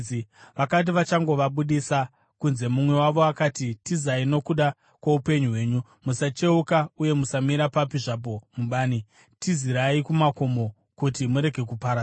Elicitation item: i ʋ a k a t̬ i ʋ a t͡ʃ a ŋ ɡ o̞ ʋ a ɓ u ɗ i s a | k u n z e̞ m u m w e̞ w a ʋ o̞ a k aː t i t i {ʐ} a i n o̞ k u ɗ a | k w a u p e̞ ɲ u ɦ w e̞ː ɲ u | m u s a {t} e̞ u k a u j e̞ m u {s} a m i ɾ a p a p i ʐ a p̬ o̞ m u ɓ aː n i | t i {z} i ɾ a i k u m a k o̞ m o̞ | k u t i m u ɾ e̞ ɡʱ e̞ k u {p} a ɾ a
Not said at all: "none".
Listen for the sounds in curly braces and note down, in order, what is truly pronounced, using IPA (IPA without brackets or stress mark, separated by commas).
z, t͡ʃ, s, z, p